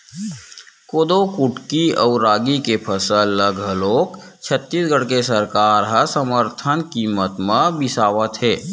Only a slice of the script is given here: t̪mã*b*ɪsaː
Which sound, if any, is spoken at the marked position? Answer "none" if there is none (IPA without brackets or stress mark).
b